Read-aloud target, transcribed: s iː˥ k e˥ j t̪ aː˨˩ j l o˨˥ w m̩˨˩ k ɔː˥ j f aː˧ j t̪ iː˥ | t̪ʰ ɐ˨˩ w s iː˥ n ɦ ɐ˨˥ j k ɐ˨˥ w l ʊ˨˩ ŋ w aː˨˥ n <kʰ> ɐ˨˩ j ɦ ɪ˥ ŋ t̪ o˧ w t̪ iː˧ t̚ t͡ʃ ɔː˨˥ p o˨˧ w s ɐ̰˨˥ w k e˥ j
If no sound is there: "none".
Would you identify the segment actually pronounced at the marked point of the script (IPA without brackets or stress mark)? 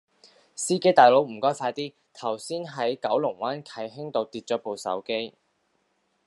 kʰ